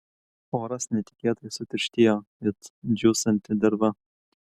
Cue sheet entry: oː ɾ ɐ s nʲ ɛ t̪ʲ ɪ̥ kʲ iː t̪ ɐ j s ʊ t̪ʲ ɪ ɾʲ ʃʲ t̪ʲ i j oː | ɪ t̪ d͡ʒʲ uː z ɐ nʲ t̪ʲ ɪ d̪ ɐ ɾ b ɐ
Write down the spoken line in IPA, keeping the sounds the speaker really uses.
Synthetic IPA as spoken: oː ɾ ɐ s nʲ ɛ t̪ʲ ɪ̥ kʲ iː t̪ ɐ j s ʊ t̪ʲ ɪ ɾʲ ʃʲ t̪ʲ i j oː | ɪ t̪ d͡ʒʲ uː s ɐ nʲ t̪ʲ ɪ d̪ ɐ ɾ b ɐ